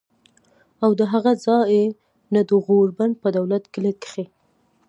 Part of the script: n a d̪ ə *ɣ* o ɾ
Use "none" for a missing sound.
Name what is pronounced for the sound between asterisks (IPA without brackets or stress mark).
ɣ